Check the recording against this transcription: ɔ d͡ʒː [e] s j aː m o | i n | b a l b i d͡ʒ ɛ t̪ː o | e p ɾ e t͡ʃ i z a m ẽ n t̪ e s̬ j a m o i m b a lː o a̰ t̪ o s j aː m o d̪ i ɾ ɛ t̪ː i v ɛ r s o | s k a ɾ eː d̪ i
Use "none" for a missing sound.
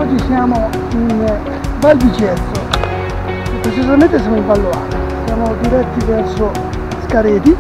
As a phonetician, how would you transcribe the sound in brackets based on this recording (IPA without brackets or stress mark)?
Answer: i